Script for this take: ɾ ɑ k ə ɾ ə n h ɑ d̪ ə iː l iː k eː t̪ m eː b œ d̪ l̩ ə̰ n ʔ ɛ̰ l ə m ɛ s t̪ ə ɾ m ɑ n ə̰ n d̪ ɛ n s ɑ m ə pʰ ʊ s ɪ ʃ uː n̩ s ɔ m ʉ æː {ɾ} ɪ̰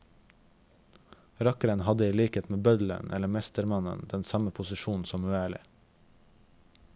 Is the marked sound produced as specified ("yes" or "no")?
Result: no